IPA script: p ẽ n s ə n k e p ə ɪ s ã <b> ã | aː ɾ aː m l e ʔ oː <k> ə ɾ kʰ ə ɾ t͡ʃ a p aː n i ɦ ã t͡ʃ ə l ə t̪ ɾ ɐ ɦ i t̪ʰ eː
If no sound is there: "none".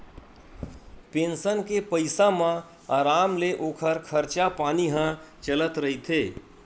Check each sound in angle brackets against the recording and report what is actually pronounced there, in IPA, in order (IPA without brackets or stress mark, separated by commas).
m, kʰ